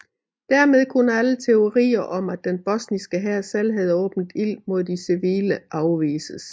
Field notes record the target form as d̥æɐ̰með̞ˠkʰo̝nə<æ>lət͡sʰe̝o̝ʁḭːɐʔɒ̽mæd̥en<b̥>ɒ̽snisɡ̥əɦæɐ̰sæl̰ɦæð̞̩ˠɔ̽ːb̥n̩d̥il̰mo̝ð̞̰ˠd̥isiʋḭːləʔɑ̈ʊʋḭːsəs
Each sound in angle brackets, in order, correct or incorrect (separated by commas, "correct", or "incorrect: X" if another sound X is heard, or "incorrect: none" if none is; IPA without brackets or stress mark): correct, correct